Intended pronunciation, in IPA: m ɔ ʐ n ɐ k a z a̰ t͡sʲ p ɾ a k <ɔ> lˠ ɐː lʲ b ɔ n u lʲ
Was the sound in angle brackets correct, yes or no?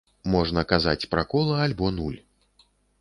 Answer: yes